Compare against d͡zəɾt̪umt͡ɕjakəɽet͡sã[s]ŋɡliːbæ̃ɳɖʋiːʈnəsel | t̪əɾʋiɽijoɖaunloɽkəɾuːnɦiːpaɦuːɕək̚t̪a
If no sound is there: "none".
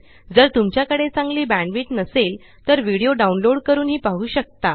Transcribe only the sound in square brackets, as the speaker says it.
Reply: none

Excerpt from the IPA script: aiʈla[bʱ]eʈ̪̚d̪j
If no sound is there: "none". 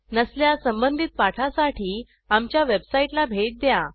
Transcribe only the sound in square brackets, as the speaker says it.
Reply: bʱ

